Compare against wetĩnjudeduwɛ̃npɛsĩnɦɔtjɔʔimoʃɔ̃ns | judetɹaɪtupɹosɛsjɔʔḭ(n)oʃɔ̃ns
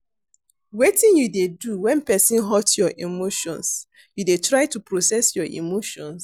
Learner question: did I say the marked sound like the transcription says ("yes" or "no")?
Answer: no